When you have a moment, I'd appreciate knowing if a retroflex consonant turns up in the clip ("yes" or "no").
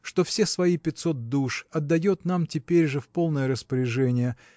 yes